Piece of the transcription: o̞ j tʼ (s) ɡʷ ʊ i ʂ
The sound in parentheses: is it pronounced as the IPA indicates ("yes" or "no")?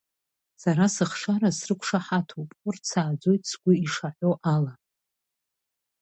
yes